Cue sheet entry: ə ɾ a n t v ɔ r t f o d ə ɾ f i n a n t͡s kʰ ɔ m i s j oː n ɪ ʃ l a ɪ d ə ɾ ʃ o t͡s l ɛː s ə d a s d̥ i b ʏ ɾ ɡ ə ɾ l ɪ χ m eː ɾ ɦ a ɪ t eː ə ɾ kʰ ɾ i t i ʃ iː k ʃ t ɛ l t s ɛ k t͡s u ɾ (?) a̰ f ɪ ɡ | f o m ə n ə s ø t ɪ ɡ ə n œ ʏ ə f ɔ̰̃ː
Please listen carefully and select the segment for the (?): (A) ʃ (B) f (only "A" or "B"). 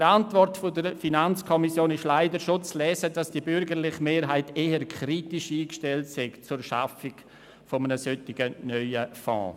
A